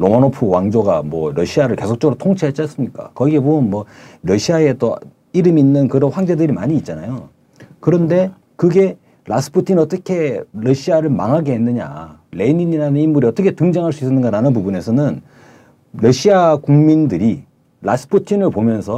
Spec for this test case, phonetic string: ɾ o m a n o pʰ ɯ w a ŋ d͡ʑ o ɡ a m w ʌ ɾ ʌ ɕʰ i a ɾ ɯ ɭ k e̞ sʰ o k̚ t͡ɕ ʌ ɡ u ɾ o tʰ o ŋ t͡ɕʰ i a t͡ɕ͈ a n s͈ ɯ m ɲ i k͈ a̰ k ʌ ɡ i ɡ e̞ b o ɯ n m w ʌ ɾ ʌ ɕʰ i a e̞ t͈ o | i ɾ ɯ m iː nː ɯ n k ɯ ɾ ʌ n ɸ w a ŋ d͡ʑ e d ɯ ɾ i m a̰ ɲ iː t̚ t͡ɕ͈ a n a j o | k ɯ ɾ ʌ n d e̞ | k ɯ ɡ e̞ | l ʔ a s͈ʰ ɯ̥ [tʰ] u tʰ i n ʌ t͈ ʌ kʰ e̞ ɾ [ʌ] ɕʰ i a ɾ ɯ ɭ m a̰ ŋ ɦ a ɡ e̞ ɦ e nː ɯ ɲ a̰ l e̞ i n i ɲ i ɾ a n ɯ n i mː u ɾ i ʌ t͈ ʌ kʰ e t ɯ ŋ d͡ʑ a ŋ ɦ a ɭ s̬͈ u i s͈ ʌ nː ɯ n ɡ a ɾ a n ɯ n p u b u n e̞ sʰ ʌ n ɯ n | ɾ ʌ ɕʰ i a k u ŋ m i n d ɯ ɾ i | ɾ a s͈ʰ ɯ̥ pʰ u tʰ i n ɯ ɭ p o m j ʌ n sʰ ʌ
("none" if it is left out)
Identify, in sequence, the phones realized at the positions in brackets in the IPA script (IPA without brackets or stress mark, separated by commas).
pʰ, ʌ